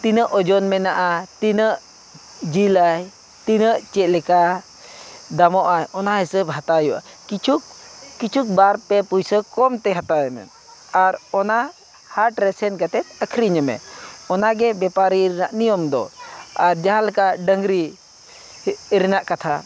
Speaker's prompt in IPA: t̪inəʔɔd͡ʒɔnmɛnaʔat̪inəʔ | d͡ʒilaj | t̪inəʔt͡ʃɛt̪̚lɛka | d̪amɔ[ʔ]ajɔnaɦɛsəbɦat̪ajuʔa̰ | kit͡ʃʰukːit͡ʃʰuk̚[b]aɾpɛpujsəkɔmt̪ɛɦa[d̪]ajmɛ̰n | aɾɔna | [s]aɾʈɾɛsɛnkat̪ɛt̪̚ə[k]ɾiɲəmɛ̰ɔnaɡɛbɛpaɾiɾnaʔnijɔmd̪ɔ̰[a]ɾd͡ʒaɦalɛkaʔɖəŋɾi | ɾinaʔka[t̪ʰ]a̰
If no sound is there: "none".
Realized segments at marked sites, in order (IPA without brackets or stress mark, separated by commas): ʔ, b, t̪, h, kʰ, a, t̪ʰ